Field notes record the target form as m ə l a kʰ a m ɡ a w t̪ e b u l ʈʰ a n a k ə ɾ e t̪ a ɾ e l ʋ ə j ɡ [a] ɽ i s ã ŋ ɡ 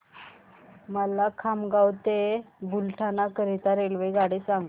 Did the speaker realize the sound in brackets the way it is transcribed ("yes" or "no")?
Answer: yes